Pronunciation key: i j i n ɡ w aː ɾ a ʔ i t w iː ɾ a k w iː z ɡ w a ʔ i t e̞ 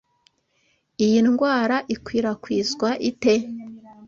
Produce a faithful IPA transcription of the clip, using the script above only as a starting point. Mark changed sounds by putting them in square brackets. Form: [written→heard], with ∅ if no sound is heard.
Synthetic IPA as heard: i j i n ɡ w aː ɾ a ʔ i [t→k] w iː ɾ a k w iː z ɡ w a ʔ i t e̞